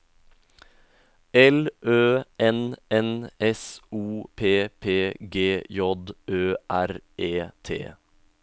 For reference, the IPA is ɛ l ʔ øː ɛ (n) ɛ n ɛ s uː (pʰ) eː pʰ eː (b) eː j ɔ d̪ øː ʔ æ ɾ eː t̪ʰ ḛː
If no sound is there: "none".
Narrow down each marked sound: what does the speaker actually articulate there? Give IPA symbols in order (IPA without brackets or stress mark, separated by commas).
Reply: n, pʰ, ɡ